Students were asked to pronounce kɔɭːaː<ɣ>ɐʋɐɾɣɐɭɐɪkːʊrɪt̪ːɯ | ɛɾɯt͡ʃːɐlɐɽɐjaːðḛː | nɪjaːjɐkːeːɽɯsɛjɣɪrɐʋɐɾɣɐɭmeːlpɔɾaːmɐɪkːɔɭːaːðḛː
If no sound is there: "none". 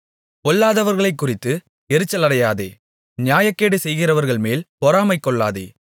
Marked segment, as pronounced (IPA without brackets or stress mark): ð